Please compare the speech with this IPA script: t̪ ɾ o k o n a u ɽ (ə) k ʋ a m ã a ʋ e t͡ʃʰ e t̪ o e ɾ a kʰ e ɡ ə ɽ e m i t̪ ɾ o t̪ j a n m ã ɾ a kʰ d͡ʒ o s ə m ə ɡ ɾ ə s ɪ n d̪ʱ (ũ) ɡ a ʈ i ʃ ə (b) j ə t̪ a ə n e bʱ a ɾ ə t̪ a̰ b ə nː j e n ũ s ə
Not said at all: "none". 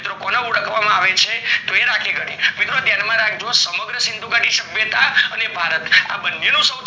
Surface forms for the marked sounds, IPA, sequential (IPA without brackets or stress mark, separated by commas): ə, u, b